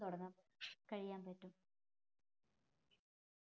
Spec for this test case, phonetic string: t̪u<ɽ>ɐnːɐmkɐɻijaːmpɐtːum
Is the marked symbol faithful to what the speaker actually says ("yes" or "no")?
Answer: yes